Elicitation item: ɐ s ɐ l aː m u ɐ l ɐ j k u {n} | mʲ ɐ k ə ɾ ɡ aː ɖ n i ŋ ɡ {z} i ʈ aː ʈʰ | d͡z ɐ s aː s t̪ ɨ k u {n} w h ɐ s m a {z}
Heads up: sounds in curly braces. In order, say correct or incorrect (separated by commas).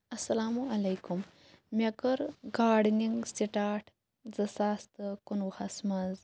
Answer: incorrect, incorrect, correct, correct